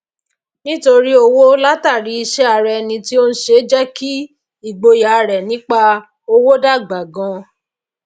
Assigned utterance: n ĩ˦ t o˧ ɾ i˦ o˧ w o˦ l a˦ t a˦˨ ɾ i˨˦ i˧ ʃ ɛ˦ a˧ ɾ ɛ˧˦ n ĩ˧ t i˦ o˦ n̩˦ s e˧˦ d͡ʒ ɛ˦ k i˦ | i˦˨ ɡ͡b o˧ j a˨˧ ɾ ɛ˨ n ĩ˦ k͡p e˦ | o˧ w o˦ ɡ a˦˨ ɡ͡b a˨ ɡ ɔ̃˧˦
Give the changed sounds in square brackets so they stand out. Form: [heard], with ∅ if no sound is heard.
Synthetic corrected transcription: n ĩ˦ t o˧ ɾ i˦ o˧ w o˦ l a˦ t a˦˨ ɾ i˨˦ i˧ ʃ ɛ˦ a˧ ɾ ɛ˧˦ n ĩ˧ t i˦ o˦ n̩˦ [ʃ] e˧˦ d͡ʒ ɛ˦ k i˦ | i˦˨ ɡ͡b o˧ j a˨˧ ɾ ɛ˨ n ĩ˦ k͡p [a˦] | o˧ w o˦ [d] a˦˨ ɡ͡b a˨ ɡ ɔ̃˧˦